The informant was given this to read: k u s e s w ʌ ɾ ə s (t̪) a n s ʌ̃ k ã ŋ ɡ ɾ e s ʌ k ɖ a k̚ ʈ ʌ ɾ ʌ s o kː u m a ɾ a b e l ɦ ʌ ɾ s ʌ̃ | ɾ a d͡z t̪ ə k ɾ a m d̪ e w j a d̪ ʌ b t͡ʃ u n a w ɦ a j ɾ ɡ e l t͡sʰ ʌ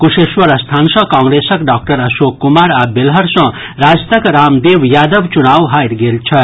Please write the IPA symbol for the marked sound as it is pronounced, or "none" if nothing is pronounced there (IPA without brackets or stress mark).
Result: t̪ʰ